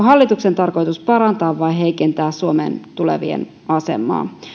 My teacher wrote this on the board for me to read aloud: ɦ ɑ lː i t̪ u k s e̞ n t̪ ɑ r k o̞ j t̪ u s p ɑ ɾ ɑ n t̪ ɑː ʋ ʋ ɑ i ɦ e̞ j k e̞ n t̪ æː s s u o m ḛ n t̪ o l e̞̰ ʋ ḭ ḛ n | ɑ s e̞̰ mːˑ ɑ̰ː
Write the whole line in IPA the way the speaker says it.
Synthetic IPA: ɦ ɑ lː i t̪ u k s e̞ n t̪ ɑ r k o̞ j t̪ u s p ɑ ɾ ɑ n t̪ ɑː ʋ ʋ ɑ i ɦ e̞ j k e̞ n t̪ æː s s u o m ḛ n t̪ u l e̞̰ ʋ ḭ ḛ n | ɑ s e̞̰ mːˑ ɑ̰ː